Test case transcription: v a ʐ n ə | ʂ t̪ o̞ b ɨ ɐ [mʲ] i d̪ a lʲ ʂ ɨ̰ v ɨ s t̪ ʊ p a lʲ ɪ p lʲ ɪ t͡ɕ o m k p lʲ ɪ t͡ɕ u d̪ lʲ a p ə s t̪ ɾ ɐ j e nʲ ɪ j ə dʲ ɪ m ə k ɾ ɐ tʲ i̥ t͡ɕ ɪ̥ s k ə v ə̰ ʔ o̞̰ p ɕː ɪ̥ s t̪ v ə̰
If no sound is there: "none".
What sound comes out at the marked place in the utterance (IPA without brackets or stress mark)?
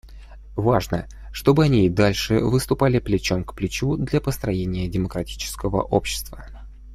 nʲ